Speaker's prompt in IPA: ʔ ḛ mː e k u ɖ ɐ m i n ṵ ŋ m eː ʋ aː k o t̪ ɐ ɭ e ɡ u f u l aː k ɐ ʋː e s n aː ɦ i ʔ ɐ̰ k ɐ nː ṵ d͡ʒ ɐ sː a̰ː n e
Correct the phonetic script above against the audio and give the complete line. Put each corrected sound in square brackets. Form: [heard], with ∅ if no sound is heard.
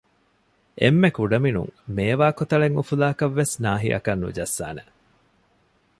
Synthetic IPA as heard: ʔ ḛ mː e k u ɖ ɐ m i n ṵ ŋ m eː ʋ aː k o t̪ ɐ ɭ e [ŋ] u f u l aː k ɐ ʋː e s n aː ɦ i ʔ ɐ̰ k ɐ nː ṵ d͡ʒ ɐ sː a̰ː n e